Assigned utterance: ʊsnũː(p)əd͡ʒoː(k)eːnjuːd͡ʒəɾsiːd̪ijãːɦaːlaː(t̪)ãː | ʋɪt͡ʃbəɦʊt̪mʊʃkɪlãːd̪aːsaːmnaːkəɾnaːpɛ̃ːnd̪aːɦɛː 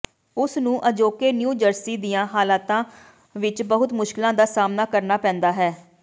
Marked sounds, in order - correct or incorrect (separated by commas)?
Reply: incorrect, correct, correct